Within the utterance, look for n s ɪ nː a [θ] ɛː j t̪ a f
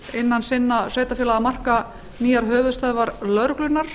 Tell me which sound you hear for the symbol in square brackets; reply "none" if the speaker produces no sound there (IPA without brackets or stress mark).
s